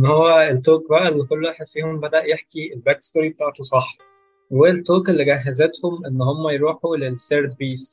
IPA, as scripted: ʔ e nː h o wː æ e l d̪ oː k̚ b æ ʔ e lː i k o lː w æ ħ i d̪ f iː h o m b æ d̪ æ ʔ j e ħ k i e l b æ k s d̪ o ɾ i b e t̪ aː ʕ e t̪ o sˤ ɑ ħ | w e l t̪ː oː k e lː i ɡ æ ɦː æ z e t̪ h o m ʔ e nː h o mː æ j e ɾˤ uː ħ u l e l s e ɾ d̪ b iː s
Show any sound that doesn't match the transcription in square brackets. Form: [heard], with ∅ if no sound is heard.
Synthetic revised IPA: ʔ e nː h o wː æ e l [t̪] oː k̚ b æ ʔ [æ] lː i k o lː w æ ħ [e] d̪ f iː h o m b æ d̪ æ ʔ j e ħ k i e l b æ k s [t̪] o ɾ i b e t̪ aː ʕ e t̪ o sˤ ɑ ħ | w e l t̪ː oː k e lː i ɡ æ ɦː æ z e t̪ h o m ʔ e nː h o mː æ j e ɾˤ uː ħ u l e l s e ɾ d̪ b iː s